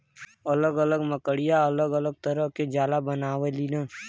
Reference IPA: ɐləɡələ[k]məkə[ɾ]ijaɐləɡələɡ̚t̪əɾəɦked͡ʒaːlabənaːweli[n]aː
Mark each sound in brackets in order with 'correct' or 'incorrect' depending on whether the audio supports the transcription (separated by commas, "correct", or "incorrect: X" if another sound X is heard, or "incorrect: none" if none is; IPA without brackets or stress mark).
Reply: incorrect: ɡ, incorrect: ɽ, correct